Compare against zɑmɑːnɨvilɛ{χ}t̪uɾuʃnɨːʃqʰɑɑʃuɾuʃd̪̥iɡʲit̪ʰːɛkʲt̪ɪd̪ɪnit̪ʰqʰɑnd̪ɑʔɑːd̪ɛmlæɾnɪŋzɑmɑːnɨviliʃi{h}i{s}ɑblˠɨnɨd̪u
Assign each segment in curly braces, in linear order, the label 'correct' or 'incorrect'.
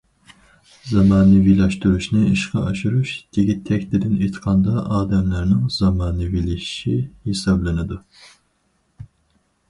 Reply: incorrect: ʃ, correct, correct

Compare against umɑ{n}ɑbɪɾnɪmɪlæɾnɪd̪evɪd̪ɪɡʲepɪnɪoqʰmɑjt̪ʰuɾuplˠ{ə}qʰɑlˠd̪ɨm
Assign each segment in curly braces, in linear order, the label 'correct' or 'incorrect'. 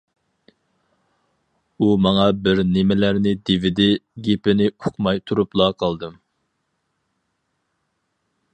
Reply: incorrect: ŋ, incorrect: ɑ

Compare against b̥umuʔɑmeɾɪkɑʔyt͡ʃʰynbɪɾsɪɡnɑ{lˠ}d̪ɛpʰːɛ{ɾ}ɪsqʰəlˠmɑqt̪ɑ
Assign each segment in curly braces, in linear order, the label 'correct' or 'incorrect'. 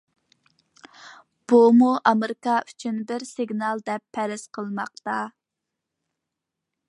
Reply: correct, correct

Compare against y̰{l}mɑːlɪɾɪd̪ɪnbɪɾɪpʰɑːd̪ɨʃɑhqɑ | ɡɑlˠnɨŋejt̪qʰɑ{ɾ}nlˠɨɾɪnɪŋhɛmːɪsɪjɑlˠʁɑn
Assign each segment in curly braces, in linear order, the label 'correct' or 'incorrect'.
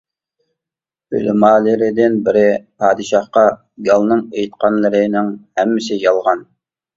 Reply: correct, incorrect: none

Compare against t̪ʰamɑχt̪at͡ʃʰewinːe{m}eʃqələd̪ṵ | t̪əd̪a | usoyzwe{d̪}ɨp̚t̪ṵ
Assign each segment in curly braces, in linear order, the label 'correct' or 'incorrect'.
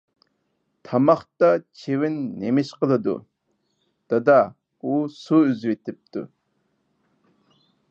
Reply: correct, incorrect: t̪

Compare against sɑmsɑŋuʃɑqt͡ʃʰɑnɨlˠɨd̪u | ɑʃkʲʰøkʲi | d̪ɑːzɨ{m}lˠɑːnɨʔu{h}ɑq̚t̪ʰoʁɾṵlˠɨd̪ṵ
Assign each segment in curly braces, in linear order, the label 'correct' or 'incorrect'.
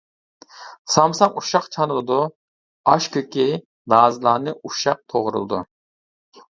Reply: incorrect: none, incorrect: ʃ

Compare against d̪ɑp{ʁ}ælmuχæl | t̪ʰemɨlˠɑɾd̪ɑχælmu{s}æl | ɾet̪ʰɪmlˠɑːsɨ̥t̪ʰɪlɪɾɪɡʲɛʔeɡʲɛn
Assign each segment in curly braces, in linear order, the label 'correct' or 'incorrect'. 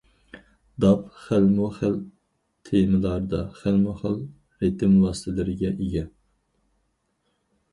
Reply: incorrect: χ, incorrect: χ

